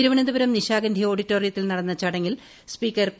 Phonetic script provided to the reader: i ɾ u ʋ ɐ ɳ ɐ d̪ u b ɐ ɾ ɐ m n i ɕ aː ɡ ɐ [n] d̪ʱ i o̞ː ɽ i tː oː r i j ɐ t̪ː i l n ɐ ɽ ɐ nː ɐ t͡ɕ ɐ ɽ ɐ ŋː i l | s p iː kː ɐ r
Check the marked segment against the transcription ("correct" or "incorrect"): correct